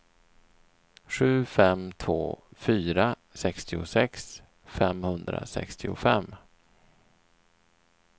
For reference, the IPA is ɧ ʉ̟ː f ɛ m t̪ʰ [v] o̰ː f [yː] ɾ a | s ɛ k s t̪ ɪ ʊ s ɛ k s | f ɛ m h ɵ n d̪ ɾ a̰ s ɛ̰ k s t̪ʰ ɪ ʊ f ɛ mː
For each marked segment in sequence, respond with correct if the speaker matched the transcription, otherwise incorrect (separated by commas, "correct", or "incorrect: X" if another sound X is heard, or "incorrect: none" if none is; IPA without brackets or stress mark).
correct, correct